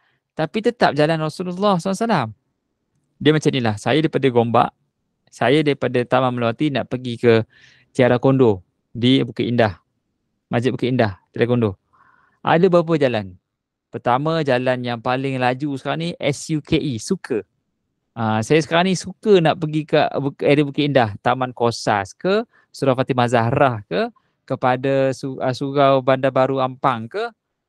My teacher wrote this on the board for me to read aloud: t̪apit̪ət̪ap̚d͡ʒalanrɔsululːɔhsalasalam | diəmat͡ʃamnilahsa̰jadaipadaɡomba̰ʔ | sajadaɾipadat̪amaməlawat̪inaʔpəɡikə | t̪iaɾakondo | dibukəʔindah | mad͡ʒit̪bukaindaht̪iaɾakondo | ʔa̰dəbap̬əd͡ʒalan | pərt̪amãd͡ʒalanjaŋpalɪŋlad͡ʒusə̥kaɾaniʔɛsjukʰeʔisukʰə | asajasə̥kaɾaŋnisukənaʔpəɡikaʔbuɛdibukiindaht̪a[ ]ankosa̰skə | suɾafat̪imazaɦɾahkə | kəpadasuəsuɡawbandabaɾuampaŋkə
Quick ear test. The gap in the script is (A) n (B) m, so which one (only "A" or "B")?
B